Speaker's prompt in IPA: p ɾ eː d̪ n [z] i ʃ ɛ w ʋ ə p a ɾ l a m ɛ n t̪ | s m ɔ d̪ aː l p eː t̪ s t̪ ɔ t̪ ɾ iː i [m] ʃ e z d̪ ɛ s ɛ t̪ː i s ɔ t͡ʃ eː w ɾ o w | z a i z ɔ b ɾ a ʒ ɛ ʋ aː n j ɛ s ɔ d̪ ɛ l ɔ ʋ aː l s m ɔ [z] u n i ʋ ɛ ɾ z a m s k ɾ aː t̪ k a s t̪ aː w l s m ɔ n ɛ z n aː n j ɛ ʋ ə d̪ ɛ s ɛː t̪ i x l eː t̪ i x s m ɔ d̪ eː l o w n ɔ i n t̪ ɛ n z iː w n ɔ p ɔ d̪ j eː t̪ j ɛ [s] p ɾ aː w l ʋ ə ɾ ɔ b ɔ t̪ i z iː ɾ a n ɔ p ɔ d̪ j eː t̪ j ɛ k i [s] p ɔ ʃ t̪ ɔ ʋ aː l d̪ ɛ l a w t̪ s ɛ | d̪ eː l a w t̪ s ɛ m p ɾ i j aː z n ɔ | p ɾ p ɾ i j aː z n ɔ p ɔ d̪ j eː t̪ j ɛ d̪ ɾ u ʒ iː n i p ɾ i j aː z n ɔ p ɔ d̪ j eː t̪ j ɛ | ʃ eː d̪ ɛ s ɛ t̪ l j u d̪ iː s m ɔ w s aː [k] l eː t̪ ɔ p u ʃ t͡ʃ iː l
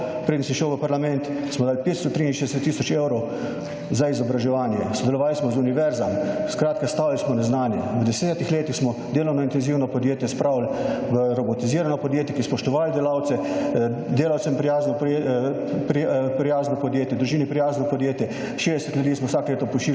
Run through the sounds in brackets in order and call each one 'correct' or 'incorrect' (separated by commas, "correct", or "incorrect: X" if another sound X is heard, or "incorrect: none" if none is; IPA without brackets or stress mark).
incorrect: s, incorrect: n, correct, correct, correct, correct